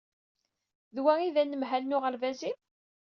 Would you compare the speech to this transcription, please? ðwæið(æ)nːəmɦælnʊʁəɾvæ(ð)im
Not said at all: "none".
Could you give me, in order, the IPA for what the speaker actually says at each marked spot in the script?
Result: æ, z

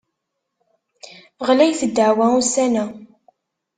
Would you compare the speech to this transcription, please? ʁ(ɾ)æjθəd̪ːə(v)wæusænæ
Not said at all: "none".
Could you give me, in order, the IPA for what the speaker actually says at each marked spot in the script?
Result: l, ʕ

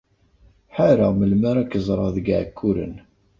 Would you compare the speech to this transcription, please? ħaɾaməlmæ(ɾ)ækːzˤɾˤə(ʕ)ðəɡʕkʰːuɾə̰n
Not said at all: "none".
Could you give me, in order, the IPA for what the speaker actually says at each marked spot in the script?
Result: ɾ, none

